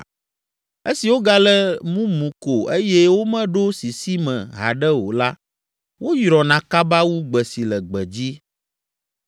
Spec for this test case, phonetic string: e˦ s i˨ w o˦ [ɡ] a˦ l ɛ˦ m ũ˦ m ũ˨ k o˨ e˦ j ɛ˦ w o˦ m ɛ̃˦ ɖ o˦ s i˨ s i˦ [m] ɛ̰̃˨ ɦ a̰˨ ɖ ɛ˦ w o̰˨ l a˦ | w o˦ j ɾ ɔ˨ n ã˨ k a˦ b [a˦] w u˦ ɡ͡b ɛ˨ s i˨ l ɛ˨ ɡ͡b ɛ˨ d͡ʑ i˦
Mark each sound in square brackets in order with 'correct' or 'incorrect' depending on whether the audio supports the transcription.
correct, correct, correct

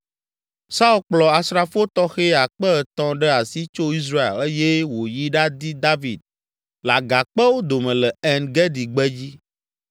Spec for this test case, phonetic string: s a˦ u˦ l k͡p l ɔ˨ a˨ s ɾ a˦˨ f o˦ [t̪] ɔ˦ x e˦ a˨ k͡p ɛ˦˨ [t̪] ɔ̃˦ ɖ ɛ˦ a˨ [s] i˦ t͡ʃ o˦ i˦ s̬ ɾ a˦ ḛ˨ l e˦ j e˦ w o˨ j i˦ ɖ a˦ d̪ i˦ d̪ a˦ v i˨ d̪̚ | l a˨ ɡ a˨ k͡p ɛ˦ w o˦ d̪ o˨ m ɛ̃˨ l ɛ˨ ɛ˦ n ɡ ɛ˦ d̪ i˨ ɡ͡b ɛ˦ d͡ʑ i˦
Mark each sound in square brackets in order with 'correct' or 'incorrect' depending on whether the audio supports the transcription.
correct, correct, correct

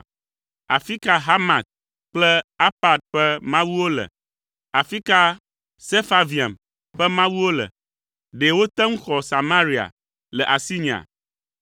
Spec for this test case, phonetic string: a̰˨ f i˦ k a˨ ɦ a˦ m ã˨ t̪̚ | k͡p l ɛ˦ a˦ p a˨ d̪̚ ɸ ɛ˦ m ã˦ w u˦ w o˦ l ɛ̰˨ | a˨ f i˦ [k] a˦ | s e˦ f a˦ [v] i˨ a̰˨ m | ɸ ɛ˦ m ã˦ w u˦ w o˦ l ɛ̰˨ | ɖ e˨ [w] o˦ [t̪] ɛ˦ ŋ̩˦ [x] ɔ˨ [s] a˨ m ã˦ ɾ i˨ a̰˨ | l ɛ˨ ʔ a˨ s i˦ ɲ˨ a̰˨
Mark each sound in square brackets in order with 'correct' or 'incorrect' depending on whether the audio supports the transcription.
correct, correct, correct, correct, correct, correct

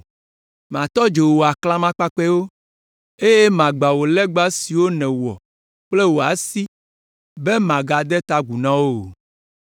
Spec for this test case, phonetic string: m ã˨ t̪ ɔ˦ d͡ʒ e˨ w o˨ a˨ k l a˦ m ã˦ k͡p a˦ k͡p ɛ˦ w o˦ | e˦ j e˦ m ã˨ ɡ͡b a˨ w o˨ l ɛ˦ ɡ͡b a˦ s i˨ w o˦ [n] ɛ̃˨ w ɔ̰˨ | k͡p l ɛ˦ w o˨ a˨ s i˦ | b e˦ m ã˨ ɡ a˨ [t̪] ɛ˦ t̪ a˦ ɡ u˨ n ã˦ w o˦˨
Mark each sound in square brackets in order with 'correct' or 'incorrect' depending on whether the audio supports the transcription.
correct, incorrect

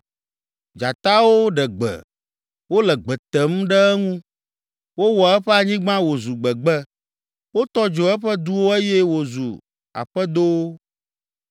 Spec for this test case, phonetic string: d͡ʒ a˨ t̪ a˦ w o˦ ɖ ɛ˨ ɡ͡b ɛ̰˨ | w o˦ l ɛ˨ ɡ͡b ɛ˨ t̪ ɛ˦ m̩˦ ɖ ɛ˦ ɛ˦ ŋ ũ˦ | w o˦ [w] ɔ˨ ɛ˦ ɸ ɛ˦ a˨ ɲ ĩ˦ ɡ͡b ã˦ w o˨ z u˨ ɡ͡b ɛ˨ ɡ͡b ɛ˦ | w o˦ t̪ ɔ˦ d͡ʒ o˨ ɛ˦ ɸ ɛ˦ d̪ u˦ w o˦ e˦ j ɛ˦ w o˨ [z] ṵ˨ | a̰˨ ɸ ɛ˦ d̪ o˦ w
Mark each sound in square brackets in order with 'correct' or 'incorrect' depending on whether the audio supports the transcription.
correct, correct

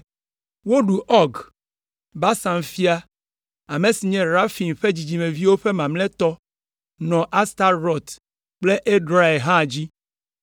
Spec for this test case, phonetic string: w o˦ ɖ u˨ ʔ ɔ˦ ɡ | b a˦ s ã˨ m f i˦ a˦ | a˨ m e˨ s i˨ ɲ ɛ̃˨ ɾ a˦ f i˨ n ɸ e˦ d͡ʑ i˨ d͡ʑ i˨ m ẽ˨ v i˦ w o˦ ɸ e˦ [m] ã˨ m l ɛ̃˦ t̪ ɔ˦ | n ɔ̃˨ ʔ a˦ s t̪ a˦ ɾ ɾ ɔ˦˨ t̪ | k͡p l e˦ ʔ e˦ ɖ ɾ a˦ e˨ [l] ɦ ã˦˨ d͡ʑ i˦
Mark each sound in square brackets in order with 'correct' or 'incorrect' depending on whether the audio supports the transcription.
correct, incorrect

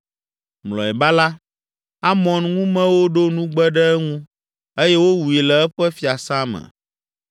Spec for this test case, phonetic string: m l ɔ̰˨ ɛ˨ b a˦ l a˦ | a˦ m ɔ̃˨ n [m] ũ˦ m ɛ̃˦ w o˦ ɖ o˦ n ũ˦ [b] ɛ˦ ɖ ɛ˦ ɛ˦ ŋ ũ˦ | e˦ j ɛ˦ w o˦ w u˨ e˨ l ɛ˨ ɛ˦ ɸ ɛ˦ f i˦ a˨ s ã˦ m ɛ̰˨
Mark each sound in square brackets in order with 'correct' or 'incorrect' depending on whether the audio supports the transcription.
incorrect, incorrect

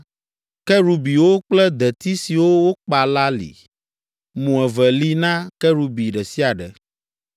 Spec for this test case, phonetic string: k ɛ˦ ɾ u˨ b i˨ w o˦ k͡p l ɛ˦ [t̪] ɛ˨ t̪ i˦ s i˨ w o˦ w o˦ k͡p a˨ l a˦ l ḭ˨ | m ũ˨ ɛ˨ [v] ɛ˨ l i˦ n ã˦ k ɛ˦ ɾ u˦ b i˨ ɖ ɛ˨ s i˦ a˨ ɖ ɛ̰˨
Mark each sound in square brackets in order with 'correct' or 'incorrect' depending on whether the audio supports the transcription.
incorrect, correct

